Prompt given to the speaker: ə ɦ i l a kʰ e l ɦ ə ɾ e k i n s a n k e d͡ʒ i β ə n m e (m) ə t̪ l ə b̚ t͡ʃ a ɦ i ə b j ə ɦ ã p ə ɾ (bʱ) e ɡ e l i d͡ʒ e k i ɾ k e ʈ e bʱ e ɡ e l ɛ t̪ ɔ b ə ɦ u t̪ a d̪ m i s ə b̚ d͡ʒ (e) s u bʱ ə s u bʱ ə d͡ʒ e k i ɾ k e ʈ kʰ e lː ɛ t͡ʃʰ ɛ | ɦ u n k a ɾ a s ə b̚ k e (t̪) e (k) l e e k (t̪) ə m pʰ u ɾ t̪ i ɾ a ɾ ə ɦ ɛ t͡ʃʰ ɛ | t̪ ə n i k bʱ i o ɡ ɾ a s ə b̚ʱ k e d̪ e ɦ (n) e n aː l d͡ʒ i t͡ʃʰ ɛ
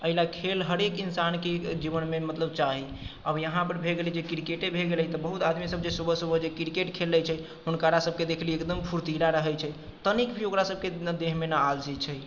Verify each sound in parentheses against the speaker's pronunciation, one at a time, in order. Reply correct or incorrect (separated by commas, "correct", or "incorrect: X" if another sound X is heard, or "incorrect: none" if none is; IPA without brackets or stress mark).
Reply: correct, correct, correct, incorrect: d̪, incorrect: kʰ, incorrect: d̪, incorrect: m